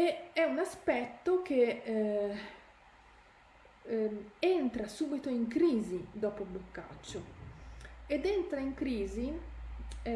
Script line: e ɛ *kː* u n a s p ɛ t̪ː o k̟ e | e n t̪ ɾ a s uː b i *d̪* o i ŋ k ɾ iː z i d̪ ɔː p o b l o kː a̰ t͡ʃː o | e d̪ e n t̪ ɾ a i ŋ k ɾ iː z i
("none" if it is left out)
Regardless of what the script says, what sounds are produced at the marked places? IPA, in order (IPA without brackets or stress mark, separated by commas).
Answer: none, t̪